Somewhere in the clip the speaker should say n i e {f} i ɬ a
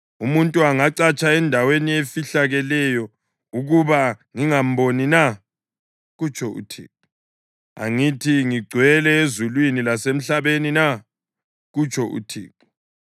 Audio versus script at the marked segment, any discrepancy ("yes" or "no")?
no